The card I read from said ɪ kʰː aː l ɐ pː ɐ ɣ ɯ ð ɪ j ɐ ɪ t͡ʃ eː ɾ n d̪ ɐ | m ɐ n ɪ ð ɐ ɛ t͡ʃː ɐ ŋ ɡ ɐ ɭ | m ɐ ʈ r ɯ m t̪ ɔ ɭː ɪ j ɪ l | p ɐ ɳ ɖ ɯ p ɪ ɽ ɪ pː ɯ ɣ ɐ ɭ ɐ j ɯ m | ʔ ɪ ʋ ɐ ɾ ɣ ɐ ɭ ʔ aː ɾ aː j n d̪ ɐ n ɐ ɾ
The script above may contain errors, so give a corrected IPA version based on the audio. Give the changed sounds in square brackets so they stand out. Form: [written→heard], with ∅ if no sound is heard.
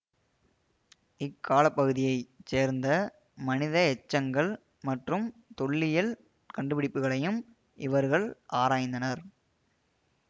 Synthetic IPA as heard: ɪ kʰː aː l ɐ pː ɐ ɣ ɯ ð ɪ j ɐ ɪ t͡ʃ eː ɾ n d̪ ɐ | m ɐ n ɪ ð ɐ ɛ t͡ʃː ɐ ŋ ɡ ɐ ɭ | m ɐ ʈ r ɯ m t̪ ɔ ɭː ɪ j ɪ l | [p→k] ɐ ɳ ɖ ɯ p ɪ ɽ ɪ pː ɯ ɣ ɐ ɭ ɐ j ɯ m | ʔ ɪ ʋ ɐ ɾ ɣ ɐ ɭ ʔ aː ɾ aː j n d̪ ɐ n ɐ ɾ